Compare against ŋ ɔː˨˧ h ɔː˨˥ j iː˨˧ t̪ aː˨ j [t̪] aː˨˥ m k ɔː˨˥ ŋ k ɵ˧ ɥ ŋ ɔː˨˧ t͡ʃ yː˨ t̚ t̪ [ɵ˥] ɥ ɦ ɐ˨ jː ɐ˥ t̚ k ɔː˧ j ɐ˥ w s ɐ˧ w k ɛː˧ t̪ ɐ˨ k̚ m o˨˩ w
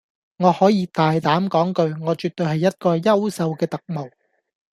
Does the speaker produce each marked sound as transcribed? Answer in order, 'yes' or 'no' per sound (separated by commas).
yes, no